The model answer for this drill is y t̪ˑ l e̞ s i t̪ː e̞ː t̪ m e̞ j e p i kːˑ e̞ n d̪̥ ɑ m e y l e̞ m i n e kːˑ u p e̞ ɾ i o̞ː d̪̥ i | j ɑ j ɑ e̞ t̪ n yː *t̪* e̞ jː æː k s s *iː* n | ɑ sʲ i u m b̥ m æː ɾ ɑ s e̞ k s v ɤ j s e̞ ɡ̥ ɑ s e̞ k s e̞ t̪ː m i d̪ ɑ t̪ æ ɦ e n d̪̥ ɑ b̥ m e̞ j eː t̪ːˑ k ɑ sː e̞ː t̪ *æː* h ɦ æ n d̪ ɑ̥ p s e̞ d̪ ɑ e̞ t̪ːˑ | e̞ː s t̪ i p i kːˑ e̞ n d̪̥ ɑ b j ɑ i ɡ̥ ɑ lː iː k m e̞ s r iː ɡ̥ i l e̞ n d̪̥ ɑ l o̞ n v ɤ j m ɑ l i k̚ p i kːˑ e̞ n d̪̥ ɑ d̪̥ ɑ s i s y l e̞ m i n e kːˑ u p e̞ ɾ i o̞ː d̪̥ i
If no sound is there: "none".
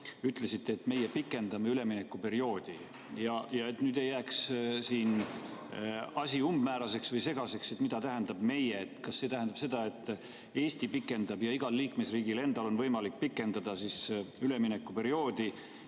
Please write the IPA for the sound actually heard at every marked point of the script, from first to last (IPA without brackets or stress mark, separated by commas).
d̪, iː, æ